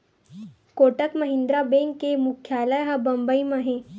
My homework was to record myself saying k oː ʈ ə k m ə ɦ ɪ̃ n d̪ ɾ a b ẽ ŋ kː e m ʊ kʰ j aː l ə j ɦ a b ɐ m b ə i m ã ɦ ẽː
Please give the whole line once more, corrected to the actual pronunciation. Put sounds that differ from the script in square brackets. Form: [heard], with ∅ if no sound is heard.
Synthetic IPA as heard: k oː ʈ ə k m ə ɦ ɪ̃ n d̪ ɾ a b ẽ ŋ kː e m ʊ kʰ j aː l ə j ɦ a b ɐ m b ə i m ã ɦ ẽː